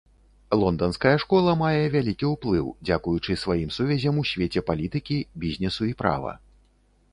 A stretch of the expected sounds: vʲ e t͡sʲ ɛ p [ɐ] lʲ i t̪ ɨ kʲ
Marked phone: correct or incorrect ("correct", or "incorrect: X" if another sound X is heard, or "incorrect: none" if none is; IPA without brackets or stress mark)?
incorrect: a